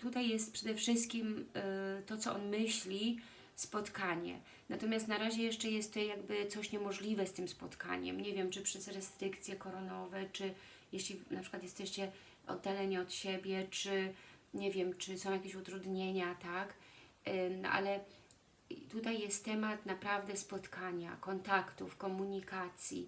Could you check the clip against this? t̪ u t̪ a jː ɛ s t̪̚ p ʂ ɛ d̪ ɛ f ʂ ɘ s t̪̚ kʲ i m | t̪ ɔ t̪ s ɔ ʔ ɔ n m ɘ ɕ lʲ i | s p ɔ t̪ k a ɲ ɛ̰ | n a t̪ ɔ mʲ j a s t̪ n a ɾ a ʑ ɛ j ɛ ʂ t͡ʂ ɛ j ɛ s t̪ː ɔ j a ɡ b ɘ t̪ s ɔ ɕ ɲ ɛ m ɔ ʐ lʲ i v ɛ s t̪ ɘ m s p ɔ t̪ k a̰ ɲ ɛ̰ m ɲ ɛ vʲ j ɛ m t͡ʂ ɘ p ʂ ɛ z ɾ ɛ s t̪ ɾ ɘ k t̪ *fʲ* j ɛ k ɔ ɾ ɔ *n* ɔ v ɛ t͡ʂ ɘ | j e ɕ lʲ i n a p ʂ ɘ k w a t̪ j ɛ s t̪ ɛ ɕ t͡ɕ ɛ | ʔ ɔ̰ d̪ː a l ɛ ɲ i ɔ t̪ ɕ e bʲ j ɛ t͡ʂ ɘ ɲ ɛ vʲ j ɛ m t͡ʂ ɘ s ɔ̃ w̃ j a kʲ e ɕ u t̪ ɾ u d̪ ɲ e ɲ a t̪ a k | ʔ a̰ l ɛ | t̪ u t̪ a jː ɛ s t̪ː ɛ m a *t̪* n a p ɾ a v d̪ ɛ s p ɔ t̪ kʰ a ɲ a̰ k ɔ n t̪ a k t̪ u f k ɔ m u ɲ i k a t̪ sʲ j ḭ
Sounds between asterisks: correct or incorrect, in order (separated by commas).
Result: incorrect, correct, correct